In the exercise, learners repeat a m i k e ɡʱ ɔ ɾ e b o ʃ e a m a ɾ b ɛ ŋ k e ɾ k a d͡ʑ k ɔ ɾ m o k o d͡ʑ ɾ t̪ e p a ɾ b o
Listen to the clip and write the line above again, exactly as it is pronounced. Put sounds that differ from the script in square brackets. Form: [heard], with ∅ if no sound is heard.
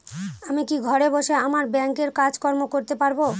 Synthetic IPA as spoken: a m i k [i] ɡʱ ɔ ɾ e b o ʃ e a m a ɾ b ɛ ŋ k e ɾ k a d͡ʑ k ɔ ɾ m o k o [∅] ɾ t̪ e p a ɾ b o